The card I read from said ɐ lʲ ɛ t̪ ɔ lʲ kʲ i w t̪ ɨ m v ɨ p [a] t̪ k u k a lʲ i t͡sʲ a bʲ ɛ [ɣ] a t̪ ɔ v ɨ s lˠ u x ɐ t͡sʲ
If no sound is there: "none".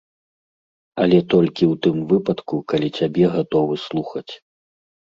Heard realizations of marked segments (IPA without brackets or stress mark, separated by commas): ɐ, ɣ